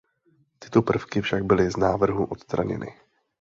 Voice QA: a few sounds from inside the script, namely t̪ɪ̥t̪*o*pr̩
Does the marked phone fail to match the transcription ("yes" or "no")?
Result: no